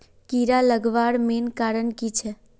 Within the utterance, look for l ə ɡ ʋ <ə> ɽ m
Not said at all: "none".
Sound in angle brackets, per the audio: a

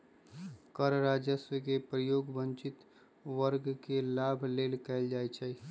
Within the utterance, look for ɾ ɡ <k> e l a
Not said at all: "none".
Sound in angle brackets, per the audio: k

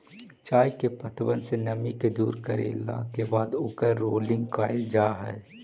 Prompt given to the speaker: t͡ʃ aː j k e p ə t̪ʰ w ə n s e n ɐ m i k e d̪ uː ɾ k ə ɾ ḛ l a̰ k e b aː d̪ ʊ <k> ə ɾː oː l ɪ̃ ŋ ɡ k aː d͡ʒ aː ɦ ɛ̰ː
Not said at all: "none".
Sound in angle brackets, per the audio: k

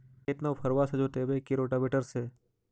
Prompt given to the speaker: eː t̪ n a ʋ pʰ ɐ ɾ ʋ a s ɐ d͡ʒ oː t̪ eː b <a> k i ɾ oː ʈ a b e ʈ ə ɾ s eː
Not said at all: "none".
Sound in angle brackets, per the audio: e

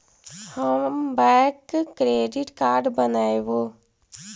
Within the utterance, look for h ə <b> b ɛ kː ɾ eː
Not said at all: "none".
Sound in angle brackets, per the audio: m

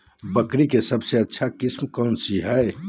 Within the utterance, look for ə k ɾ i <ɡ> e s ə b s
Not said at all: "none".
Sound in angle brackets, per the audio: k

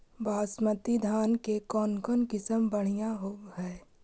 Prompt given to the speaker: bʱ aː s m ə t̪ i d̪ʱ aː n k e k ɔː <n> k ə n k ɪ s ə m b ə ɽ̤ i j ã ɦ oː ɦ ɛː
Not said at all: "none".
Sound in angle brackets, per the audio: n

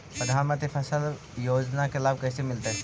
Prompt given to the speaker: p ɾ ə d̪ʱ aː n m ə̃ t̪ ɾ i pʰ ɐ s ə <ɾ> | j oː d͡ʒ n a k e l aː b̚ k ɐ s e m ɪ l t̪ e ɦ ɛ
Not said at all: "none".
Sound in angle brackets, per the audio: l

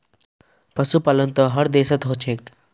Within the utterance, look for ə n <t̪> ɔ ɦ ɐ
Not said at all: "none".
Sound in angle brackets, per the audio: t̪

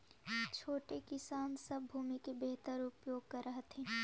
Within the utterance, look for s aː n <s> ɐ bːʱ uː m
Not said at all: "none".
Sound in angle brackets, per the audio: s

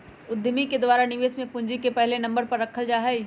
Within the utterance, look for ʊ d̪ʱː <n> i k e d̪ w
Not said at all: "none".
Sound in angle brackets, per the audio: m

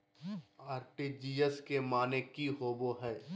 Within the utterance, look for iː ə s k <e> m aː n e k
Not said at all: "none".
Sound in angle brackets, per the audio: e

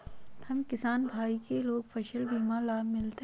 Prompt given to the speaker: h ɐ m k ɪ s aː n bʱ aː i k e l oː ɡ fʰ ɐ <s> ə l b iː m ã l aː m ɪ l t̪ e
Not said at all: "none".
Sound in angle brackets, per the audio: ʃ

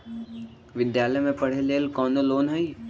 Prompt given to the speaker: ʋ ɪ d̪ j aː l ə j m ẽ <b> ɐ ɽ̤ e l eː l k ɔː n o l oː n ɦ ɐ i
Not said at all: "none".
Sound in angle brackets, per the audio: p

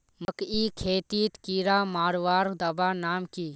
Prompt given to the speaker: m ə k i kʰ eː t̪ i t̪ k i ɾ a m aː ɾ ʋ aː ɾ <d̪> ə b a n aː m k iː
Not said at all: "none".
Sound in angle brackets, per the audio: d̪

